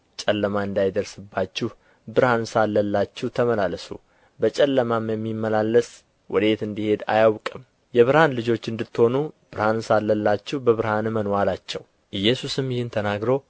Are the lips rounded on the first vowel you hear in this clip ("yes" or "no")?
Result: no